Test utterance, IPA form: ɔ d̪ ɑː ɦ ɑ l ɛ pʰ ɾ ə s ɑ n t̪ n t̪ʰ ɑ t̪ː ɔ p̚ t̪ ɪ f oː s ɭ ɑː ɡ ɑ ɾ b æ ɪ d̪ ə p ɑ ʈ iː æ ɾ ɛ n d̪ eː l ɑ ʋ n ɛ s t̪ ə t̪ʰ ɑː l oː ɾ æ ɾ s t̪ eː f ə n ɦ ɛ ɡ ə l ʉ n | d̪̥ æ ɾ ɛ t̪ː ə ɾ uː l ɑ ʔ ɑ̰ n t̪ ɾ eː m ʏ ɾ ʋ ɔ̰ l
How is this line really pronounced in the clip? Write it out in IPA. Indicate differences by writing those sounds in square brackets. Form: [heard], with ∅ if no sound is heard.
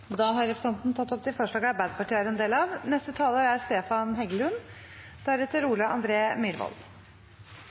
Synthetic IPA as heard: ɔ d̪ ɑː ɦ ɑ [ɾ] ɛ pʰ ɾ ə s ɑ n t̪ n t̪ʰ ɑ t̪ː ɔ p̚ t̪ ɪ f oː [ʂ] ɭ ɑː ɡ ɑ ɾ b æ ɪ d̪ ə p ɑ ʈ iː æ ɾ ɛ n d̪ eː l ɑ ʋ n ɛ s t̪ ə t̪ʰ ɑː l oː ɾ æ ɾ s t̪ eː f [ɑ] n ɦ ɛ ɡ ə l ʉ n | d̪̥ æ ɾ ɛ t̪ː ə ɾ uː l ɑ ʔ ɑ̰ n [d̪] ɾ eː m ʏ ɾ ʋ ɔ̰ l

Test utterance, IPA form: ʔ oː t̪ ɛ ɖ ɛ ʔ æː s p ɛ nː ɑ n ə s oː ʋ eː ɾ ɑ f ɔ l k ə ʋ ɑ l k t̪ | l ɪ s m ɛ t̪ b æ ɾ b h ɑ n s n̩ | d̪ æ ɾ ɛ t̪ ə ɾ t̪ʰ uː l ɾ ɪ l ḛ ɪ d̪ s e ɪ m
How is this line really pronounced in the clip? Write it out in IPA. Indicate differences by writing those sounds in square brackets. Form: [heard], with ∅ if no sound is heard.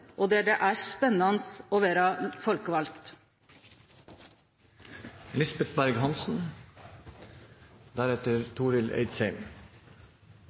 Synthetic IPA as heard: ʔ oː [d̪] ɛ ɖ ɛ ʔ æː s p ɛ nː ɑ n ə s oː ʋ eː ɾ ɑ f ɔ l k ə ʋ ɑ l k t̪ | l ɪ s [b] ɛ t̪ b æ ɾ [ɡ] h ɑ n s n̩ | d̪ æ ɾ ɛ t̪ ə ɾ t̪ʰ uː [∅] ɾ ɪ l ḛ ɪ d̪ s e ɪ m

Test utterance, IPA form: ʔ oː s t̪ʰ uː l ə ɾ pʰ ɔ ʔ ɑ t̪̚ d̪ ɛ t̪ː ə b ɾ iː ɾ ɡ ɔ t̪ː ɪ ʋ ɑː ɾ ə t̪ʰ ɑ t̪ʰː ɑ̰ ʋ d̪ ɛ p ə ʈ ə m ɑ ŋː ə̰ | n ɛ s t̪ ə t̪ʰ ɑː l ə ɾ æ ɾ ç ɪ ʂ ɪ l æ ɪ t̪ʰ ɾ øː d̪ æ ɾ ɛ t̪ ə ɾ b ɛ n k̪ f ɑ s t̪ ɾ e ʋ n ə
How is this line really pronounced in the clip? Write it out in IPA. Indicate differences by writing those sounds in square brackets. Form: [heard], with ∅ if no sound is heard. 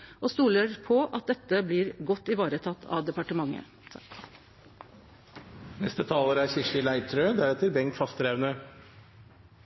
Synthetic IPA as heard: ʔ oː s [t̪] uː l ə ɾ pʰ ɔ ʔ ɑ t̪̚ d̪ ɛ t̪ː ə b [l] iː ɾ ɡ ɔ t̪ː ɪ ʋ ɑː ɾ ə t̪ʰ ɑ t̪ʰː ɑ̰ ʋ d̪ ɛ p [ɑ] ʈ ə m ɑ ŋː ə̰ | n ɛ s t̪ ə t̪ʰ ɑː l ə ɾ æ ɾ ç ɪ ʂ ɪ l æ ɪ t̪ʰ ɾ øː d̪ æ ɾ ɛ t̪ ə ɾ b ɛ [ŋ] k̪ f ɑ s t̪ ɾ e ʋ n ə

